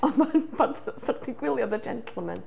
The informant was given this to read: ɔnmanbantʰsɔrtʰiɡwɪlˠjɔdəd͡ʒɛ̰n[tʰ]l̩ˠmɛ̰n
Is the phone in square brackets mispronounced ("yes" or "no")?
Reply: no